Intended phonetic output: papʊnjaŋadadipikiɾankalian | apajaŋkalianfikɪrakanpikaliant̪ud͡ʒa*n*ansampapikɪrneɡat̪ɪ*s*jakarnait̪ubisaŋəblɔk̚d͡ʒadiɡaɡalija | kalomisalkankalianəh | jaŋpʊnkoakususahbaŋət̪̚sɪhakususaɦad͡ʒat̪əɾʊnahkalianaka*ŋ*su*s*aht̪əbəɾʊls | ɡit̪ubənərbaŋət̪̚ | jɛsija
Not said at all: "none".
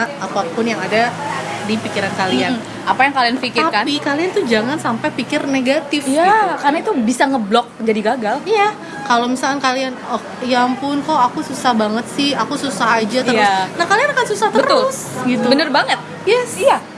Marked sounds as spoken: ŋ, f, n, s

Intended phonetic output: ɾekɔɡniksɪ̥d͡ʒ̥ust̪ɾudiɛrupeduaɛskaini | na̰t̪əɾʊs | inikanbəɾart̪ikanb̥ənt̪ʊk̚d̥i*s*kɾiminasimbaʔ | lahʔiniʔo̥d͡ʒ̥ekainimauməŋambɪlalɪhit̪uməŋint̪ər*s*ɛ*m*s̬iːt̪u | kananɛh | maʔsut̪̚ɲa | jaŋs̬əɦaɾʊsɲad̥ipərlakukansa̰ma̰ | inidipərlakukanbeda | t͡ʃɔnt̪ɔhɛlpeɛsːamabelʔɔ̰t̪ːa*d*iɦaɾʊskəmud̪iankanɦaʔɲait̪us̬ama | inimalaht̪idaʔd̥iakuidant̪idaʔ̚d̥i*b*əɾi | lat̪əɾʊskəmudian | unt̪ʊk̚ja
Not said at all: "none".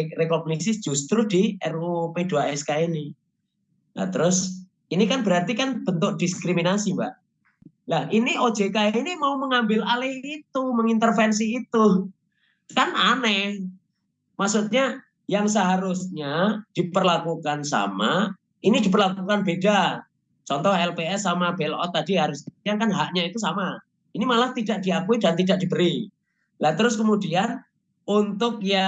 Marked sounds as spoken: s, f, n, d, b

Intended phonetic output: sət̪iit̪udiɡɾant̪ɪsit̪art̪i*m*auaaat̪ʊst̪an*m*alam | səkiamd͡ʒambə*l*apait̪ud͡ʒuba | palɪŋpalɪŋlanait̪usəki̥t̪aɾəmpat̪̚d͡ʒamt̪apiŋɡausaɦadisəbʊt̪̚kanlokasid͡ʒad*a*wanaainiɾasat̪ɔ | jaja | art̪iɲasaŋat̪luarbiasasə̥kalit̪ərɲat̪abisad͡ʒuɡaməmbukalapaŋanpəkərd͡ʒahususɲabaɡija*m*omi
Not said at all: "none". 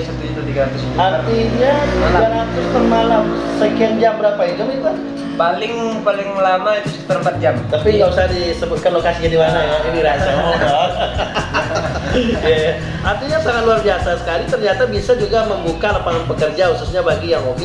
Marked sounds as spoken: ɲ, m, ɾ, i, ŋ

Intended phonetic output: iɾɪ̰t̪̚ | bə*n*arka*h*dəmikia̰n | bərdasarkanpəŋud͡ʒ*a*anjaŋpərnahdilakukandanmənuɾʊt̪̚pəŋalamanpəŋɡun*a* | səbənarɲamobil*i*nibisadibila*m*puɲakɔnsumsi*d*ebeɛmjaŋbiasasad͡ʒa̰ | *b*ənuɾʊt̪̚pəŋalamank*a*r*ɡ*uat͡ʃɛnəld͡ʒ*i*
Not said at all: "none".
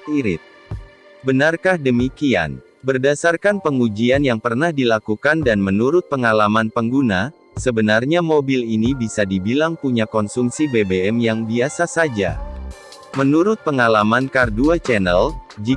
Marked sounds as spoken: n, h, i, a, i, ŋ, b, m, a, d, i

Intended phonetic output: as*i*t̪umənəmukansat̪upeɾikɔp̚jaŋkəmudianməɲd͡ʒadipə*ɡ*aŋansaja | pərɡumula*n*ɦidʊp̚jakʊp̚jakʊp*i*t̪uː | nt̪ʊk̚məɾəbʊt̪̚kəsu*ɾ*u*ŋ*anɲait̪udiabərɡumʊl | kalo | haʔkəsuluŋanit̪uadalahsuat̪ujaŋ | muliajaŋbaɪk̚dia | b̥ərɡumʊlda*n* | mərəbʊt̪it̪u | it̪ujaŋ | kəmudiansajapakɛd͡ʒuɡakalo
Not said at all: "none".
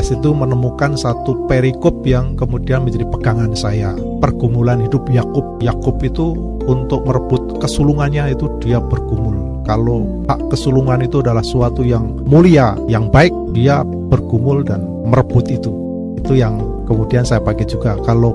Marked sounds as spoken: i, ɡ, n, i, l, ŋ, n

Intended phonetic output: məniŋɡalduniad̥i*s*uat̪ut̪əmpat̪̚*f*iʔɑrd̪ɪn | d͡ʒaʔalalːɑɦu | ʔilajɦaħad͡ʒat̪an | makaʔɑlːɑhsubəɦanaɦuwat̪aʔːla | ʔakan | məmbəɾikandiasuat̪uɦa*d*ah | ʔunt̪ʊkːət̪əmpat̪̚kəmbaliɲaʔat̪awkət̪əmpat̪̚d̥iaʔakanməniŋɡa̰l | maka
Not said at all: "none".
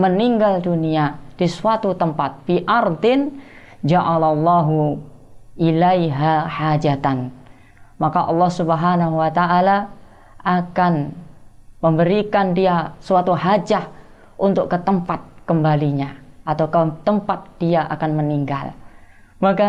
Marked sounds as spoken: s, f, d͡ʒ

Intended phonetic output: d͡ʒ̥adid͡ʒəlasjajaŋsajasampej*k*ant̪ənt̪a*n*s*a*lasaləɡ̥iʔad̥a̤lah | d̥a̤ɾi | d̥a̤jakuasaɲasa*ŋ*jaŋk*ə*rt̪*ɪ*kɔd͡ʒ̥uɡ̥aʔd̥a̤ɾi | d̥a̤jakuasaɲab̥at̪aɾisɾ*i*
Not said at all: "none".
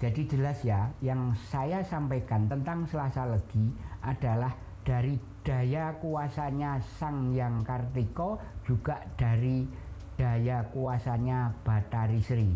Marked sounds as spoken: k, ŋ, ə, ŋ, a, i, i

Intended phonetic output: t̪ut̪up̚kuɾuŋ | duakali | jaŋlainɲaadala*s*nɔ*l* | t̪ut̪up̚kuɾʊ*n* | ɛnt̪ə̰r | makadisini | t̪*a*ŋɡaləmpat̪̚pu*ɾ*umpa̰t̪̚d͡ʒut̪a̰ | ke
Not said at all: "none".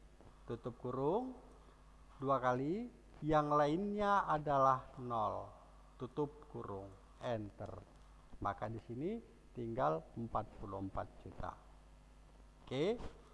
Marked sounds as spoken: h, l, ŋ, i, l

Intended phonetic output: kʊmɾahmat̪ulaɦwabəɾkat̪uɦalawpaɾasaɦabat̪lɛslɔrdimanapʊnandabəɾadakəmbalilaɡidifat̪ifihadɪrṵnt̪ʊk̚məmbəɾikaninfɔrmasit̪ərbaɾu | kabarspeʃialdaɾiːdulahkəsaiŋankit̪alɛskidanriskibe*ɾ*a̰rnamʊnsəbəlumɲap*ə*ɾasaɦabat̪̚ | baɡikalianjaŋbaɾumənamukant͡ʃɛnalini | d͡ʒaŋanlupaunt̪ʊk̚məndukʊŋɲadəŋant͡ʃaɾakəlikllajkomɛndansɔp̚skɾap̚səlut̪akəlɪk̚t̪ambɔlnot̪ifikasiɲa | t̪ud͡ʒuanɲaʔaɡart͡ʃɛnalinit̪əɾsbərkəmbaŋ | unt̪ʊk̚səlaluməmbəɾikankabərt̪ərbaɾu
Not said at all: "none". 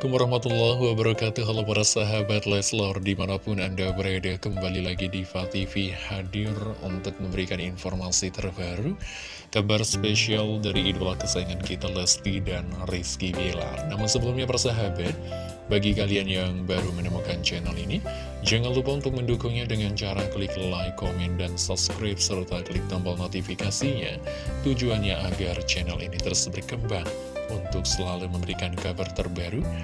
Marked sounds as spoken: l, a

